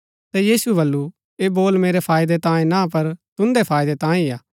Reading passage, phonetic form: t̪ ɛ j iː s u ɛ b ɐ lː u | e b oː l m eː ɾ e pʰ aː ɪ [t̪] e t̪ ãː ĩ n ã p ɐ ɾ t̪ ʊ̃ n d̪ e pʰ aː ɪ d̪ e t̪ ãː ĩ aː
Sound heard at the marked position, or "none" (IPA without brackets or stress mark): d̪